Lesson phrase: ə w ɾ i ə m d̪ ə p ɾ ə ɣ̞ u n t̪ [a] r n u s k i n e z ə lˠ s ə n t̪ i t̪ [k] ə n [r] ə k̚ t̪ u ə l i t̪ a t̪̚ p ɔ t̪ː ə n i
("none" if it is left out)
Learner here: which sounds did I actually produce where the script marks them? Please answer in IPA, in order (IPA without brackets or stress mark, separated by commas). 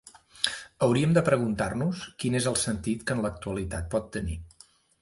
a, k, l